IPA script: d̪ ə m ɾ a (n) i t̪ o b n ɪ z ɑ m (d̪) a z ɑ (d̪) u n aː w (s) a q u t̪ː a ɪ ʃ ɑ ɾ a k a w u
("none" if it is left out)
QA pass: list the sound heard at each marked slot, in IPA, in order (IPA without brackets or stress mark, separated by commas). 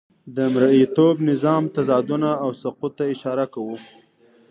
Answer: none, t̪, d̪, s